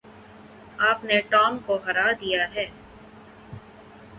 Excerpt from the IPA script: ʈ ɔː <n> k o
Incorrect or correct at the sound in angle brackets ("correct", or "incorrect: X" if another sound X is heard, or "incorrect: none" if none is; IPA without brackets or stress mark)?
incorrect: m